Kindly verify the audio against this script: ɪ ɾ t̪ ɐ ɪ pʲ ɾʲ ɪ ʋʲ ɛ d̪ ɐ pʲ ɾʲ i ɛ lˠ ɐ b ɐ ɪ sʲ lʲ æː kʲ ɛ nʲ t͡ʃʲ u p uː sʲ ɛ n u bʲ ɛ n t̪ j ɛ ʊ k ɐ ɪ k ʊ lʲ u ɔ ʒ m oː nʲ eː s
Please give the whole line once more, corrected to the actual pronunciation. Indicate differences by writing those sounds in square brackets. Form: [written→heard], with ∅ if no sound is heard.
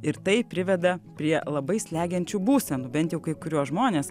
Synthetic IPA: ɪ ɾ t̪ ɐ ɪ pʲ ɾʲ ɪ ʋʲ ɛ d̪ ɐ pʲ ɾʲ i ɛ lˠ ɐ b ɐ ɪ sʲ lʲ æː [kʲ→ɡʲ] ɛ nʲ t͡ʃʲ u [p→b] uː sʲ ɛ n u bʲ ɛ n t̪ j ɛ ʊ k ɐ ɪ k ʊ [lʲ→ɾʲ] u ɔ ʒ m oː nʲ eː s